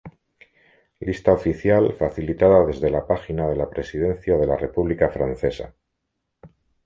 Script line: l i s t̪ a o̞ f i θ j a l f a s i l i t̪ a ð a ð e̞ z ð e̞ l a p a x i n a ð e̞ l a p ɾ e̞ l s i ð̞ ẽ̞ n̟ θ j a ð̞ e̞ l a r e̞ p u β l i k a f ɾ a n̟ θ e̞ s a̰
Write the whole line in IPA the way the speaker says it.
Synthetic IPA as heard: l i s t̪ a o̞ f i θ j a l f a θ i l i t̪ a ð a ð e̞ z ð e̞ l a p a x i n a ð e̞ l a p ɾ e̞ s i ð̞ e̞ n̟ θ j a ð̞ e̞ l a r e̞ p u β l i k a f ɾ a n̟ θ e̞ s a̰